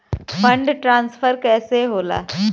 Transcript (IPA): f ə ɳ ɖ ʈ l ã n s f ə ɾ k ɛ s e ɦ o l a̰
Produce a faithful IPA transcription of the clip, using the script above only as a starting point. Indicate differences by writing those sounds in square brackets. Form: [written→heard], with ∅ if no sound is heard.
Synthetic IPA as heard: f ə ɳ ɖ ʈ [l→ɾ] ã n s f ə ɾ k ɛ s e ɦ o l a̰